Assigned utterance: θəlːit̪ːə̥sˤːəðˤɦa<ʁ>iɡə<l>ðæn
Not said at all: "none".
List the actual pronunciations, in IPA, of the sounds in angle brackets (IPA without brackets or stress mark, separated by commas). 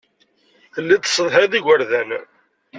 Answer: ð, ɾ